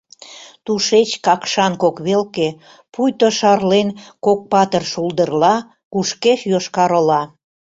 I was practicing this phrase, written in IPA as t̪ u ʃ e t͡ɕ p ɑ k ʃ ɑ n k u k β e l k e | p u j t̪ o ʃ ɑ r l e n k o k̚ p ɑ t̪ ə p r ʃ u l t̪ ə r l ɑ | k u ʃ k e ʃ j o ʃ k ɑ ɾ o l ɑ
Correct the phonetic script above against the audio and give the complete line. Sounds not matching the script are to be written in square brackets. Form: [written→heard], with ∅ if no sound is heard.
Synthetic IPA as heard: t̪ u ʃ e t͡ɕ [p→k] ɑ k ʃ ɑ n k [u→o] k β e l k e | p u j t̪ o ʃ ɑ r l e n k o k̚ p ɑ t̪ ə [p→∅] r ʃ u l [t̪→d̪] ə r l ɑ | k u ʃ k e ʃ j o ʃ k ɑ ɾ o l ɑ